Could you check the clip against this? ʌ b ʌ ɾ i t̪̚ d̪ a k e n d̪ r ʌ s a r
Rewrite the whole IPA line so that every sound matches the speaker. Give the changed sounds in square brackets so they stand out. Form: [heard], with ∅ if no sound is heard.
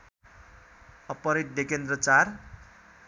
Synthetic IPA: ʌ [p] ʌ ɾ i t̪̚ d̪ [e] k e n d̪ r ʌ [t͡s] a r

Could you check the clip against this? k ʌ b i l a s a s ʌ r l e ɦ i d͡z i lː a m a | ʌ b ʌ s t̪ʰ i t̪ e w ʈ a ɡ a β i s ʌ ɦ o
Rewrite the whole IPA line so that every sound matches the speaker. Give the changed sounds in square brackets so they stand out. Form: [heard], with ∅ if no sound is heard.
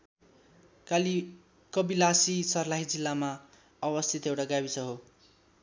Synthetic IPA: k ʌ b i l a s [i] s ʌ r l [a] ɦ i d͡z i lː a m a | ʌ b ʌ s t̪ʰ i t̪ e w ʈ a ɡ a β i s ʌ ɦ o

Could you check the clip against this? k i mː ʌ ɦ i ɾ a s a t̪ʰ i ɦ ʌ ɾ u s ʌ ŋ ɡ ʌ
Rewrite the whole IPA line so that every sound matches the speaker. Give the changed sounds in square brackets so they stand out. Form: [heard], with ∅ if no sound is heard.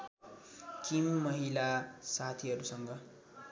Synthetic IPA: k i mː ʌ ɦ i [l] a s a t̪ʰ i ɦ ʌ ɾ u s ʌ ŋ ɡ ʌ

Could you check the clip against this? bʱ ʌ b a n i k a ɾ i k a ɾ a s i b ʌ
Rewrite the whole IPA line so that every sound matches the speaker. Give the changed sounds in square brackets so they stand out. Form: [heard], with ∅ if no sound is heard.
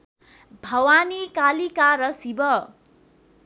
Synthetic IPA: bʱ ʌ [w] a n i k a [l] i k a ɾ [ʌ] s i b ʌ

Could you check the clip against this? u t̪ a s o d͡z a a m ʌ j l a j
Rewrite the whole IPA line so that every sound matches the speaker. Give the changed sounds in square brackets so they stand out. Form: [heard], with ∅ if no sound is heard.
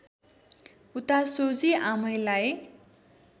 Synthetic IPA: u t̪ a s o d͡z [i] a m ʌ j l a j

